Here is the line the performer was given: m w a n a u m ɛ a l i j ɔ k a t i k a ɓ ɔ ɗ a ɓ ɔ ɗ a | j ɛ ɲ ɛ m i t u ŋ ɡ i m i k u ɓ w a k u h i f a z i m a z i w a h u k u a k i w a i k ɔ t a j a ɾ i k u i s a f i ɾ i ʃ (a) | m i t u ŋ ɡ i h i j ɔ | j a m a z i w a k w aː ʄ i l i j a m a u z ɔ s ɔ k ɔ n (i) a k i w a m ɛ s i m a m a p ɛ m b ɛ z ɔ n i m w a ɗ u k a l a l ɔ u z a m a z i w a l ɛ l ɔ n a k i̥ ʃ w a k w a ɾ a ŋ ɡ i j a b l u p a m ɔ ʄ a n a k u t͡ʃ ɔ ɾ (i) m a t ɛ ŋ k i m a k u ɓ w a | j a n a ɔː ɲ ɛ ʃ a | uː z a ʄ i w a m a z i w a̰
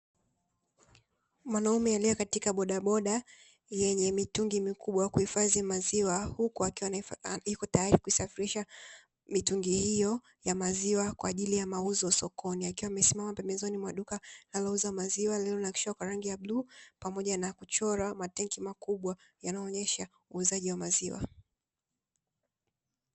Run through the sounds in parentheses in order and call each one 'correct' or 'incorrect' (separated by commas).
correct, correct, incorrect